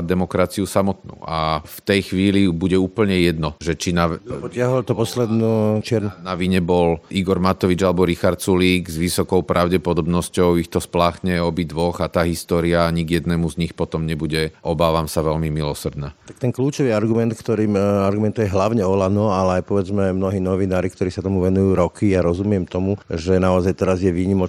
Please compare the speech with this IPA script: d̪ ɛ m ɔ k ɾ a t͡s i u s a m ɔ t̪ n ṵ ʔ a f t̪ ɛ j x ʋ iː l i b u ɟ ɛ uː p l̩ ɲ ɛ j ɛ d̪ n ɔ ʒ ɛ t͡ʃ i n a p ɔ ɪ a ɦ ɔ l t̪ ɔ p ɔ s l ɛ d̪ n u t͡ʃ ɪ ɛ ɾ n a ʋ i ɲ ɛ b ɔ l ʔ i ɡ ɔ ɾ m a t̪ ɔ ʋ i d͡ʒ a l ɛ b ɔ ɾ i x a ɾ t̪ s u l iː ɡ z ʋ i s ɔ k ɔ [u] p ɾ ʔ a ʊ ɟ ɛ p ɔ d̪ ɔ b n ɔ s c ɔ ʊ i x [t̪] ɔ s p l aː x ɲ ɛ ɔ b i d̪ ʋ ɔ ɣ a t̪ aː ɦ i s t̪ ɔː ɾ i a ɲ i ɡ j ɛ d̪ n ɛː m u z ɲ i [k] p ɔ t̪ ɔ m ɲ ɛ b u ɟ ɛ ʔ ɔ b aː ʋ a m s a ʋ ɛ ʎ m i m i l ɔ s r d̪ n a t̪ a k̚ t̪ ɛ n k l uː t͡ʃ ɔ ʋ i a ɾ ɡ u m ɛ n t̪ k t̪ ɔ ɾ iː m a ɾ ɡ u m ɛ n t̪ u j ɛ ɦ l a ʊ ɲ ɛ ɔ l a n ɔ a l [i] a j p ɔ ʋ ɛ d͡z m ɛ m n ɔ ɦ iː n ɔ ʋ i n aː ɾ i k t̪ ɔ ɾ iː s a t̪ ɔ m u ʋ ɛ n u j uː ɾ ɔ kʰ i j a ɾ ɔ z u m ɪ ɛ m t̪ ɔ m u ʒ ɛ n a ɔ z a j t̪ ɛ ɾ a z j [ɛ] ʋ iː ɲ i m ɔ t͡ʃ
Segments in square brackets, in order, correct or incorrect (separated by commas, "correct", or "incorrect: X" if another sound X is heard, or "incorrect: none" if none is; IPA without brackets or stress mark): incorrect: ʊ, correct, incorrect: x, incorrect: ɛ, correct